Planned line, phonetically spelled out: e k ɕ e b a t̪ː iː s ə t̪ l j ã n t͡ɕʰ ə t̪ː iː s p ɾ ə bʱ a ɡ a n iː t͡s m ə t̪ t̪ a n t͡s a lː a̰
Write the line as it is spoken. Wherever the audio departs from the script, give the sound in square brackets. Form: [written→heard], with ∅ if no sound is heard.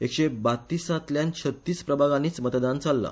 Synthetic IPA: e k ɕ e b a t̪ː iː s [ə→a] t̪ l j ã n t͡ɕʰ ə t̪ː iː s p ɾ ə bʱ a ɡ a n iː t͡s m ə t̪ [t̪→d̪] a n t͡s a lː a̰